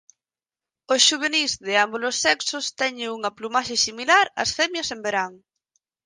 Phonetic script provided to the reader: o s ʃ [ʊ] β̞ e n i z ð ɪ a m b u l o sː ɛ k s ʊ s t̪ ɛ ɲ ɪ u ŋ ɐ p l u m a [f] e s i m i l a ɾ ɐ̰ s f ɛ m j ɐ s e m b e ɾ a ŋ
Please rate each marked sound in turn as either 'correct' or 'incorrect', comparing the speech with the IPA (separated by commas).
incorrect, incorrect